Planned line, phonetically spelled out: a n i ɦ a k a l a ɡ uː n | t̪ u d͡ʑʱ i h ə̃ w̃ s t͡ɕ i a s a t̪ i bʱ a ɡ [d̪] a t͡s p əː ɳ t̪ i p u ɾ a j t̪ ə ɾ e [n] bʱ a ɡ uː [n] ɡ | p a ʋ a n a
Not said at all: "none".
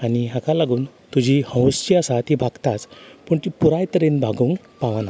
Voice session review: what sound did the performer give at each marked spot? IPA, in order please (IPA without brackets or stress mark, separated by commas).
t̪, n, ŋ